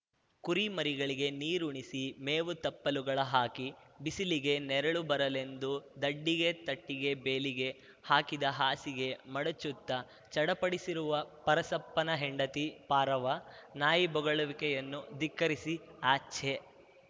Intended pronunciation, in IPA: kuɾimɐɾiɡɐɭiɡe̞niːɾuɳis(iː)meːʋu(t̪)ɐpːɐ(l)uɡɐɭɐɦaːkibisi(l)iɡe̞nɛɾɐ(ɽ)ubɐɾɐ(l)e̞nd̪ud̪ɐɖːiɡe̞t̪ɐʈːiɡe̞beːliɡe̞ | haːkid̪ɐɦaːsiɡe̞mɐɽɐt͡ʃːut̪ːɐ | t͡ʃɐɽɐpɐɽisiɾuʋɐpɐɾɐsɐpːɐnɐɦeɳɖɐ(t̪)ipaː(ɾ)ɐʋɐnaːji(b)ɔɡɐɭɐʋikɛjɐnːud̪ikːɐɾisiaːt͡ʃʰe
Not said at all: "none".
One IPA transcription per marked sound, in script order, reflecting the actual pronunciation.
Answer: i, t̪, l, l, ɭ, l, t̪, ɾ, b

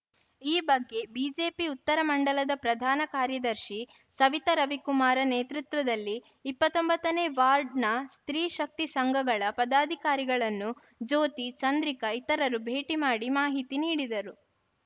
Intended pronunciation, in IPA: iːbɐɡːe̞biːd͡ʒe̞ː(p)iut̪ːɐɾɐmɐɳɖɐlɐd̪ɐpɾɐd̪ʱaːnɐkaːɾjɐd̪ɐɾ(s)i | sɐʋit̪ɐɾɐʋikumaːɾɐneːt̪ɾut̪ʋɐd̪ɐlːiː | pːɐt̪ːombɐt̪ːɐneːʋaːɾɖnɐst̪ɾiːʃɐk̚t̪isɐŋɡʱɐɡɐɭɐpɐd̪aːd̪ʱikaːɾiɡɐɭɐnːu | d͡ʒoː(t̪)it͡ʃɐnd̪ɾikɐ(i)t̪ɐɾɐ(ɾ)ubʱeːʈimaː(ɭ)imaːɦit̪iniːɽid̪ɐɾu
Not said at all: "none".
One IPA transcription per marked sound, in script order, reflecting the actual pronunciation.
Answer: p, ʃ, t̪, i, ɾ, ɽ

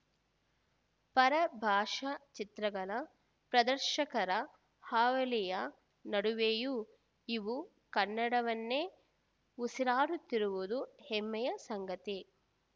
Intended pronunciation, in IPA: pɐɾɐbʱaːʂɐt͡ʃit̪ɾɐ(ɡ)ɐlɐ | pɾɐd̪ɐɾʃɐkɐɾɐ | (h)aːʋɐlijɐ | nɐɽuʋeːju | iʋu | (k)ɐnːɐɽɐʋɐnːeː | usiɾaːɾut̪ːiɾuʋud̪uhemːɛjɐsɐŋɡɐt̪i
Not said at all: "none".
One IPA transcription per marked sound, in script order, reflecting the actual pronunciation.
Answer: ɡ, h, k

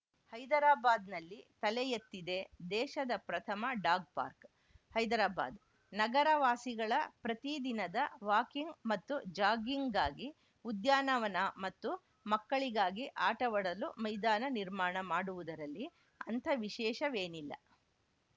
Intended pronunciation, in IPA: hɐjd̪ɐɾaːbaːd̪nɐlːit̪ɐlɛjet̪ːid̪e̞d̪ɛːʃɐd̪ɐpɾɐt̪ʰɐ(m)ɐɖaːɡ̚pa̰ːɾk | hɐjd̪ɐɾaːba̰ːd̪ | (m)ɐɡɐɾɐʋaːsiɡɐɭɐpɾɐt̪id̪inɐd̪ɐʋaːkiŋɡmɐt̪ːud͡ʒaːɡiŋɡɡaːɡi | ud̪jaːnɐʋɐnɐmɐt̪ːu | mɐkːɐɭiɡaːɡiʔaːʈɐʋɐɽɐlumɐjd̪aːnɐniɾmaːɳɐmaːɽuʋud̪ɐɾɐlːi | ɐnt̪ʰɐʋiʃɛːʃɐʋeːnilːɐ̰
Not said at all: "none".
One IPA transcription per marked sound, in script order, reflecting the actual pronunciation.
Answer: m, n

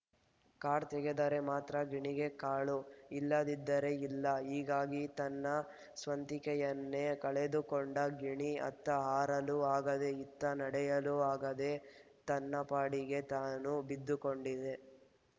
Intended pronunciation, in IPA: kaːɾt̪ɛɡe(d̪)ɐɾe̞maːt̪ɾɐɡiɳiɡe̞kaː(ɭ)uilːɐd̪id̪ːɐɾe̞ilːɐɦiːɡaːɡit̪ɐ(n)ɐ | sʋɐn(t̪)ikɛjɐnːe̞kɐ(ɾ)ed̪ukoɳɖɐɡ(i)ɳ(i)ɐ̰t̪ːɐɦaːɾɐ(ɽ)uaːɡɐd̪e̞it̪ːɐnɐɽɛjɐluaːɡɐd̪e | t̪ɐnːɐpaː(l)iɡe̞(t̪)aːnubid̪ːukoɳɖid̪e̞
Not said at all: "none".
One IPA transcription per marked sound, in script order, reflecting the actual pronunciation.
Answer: d̪, ɭ, nː, t̪, ɭ, i, i, l, ɽ, t̪

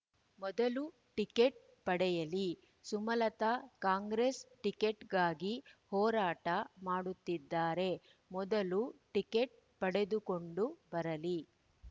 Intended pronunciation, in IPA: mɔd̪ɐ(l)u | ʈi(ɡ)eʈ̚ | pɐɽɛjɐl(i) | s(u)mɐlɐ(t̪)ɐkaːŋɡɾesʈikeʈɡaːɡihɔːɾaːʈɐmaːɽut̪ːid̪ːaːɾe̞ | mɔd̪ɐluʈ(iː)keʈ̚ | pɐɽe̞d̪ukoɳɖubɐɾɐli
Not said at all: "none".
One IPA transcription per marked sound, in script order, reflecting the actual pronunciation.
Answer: l, k, i, u, t̪, i

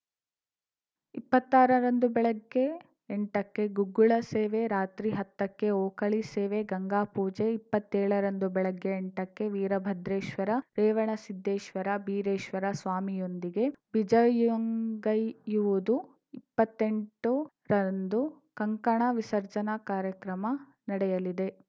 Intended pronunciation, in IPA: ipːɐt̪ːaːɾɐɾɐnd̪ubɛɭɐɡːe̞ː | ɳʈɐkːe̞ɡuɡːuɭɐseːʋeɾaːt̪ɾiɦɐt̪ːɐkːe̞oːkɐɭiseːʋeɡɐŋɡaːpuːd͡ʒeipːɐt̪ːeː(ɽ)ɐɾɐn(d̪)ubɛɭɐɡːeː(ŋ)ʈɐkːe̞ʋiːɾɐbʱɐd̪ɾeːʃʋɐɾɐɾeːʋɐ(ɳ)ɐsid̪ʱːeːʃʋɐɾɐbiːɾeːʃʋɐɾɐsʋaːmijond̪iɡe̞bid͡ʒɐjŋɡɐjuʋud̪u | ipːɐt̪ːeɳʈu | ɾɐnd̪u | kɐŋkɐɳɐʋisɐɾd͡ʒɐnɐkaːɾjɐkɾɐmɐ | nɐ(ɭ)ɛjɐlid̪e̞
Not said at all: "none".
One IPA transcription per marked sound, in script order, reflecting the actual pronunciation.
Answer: ɭ, d̪, ɳ, ɳ, ɽ

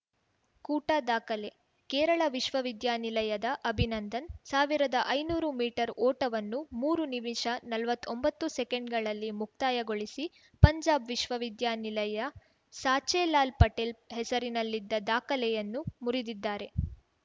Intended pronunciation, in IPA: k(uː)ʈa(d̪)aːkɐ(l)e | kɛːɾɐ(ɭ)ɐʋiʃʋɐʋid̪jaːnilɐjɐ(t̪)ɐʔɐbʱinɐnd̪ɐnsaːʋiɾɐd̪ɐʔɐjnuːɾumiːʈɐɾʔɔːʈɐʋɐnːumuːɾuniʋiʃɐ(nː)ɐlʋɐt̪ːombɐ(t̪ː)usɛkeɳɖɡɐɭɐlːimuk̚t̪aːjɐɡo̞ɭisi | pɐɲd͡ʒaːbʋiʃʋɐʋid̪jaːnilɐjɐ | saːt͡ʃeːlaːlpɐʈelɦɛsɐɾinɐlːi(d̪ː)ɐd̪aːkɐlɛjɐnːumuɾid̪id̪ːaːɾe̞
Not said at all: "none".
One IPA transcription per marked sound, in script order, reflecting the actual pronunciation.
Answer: uː, d̪, l, ɭ, d̪, n, t̪ː, d̪ː

